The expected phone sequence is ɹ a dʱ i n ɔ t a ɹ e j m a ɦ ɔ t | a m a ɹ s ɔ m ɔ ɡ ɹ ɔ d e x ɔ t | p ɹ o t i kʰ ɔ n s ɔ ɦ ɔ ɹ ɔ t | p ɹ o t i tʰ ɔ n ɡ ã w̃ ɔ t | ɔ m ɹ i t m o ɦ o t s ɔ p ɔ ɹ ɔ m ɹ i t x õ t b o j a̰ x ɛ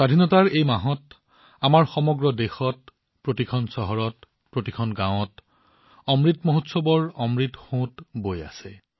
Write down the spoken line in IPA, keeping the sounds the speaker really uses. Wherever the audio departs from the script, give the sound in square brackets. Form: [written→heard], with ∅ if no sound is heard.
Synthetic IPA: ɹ a dʱ i n ɔ t a ɹ e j m a ɦ ɔ t | a m a ɹ [s→x] ɔ m ɔ ɡ ɹ ɔ d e x ɔ t | p ɹ o t i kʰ ɔ n s ɔ ɦ ɔ ɹ ɔ t | p ɹ o t i [tʰ→kʰ] ɔ n ɡ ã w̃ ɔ t | ɔ m ɹ i t m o ɦ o t s ɔ [p→b] ɔ ɹ ɔ m ɹ i t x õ t b o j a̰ [x→s] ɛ